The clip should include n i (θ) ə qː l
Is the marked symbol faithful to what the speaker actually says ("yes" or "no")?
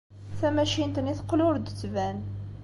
yes